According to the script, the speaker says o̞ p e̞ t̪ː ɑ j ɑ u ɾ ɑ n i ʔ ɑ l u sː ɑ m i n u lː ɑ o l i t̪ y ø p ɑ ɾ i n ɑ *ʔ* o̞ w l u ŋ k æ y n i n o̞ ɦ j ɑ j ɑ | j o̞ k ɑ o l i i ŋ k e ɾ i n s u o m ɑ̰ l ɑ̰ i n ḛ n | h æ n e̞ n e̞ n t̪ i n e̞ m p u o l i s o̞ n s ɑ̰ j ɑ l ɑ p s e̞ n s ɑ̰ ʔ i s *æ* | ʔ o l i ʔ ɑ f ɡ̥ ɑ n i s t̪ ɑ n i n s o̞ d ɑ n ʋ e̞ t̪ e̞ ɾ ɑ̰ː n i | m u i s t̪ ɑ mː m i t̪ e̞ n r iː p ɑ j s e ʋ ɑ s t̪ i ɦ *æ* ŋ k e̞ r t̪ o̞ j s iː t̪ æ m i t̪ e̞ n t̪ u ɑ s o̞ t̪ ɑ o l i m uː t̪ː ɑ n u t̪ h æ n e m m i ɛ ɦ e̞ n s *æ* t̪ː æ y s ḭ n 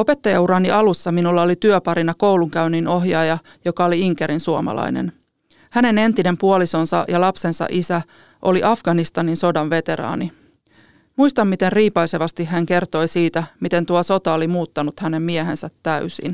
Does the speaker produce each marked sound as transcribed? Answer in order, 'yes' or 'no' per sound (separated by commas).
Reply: no, yes, yes, yes